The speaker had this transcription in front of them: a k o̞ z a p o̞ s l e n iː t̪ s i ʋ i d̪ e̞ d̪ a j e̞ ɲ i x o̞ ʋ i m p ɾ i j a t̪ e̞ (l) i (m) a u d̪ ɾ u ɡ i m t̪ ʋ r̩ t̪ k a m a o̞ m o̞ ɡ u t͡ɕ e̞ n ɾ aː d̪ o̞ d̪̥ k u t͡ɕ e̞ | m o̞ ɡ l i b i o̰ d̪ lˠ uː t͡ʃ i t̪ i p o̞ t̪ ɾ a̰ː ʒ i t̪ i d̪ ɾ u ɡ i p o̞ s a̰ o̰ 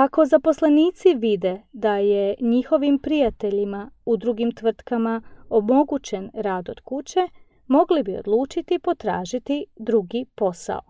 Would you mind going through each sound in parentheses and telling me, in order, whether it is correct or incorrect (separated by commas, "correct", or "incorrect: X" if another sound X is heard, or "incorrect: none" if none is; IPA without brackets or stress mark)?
incorrect: ʎ, correct